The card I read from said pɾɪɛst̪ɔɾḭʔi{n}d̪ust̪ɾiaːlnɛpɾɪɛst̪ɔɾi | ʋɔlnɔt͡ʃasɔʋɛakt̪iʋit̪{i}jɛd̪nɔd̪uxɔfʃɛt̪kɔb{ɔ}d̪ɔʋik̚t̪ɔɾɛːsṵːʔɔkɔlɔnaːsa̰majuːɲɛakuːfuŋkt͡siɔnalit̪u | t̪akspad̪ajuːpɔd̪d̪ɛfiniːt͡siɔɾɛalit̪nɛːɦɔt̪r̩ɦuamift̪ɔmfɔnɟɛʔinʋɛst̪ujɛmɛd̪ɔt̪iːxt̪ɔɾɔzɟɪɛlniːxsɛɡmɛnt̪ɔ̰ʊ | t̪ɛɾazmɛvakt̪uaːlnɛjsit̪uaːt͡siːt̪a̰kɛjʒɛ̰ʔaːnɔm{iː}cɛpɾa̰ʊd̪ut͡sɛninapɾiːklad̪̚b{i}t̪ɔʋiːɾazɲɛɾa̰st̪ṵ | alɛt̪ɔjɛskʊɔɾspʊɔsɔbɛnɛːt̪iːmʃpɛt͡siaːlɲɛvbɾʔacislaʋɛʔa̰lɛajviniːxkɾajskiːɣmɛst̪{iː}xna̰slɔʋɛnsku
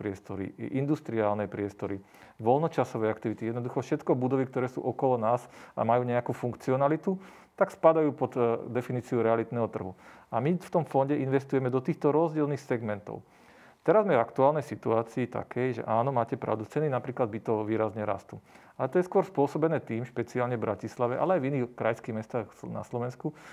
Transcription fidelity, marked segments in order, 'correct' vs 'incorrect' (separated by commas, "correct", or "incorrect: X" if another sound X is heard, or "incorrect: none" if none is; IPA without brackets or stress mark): correct, correct, incorrect: u, incorrect: aː, correct, incorrect: aː